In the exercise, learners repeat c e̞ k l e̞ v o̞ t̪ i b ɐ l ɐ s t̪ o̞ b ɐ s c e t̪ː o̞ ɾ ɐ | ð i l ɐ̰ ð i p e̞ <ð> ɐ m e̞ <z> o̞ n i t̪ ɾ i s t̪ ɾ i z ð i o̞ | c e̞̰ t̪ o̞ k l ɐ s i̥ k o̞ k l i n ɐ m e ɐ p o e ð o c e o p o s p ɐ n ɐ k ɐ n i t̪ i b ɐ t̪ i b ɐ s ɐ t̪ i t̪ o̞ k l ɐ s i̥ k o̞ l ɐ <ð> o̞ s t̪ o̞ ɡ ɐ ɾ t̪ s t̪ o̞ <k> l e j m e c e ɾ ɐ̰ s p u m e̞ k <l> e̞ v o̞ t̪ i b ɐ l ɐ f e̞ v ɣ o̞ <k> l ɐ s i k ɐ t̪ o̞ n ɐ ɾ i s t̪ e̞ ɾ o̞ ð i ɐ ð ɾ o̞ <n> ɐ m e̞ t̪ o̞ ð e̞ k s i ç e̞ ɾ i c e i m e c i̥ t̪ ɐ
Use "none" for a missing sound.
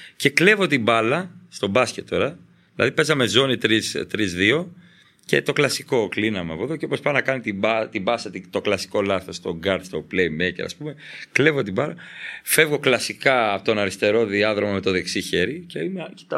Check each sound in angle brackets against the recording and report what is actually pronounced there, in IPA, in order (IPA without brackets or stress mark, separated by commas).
z, z, θ, p, l, k, m